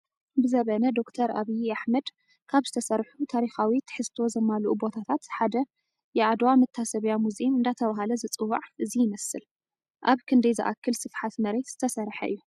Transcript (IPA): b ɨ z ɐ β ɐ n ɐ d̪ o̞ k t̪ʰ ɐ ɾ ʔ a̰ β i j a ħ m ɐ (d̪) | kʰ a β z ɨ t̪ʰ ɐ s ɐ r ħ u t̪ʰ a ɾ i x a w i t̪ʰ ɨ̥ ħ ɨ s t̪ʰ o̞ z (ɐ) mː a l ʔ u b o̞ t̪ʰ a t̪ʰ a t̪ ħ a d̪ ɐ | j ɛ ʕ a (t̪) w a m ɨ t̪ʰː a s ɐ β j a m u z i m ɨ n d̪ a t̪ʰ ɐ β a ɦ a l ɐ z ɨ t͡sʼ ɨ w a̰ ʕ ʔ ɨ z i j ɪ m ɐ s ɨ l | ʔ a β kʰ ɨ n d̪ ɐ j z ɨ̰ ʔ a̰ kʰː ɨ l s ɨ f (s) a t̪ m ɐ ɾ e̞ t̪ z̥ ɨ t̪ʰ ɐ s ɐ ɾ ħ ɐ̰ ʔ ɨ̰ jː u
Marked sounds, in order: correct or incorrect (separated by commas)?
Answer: correct, correct, incorrect, incorrect